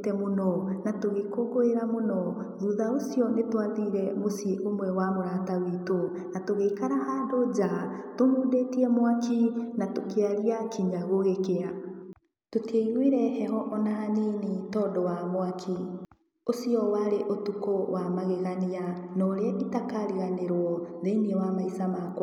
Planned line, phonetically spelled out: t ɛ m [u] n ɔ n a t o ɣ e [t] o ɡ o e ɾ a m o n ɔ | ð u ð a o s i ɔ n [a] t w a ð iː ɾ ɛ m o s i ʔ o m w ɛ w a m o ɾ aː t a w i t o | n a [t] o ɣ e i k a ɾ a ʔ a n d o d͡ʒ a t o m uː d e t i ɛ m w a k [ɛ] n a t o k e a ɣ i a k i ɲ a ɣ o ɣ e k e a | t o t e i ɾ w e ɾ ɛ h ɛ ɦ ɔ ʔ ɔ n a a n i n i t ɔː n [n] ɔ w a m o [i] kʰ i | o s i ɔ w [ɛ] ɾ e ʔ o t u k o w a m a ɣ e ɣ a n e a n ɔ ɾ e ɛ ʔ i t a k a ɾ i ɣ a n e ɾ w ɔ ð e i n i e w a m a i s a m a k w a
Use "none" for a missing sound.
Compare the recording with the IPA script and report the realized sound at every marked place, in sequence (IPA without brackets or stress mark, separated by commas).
o, k, e, t, i, d, a, a